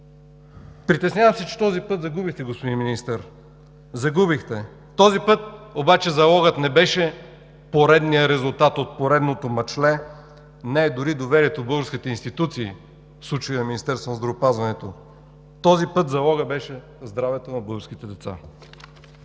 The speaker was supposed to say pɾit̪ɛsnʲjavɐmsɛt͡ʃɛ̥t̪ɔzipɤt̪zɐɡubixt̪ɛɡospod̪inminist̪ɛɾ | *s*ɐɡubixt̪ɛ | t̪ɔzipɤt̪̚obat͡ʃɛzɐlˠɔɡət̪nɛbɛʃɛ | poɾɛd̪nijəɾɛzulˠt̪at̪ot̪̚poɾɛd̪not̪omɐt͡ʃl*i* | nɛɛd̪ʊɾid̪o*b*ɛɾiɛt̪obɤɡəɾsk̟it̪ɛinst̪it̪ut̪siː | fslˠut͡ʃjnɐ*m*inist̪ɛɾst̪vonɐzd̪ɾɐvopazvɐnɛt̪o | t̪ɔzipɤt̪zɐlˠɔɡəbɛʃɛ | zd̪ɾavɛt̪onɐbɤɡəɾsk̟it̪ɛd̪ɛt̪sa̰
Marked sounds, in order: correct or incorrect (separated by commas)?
incorrect, incorrect, incorrect, correct